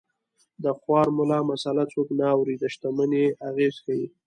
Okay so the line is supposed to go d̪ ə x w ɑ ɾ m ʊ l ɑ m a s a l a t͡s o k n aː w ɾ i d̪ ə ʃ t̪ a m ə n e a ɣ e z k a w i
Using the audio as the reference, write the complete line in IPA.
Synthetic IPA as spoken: d̪ ə x w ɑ ɾ m ʊ l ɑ m a s a l a t͡s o k n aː w ɾ i d̪ ə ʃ t̪ a m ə n e a ɣ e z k a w i